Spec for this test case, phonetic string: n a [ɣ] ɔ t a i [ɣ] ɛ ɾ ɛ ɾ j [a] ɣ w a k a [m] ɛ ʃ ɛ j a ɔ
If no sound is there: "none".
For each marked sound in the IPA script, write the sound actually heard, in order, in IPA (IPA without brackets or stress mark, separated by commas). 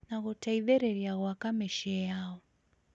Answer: ɣ, ð, a, m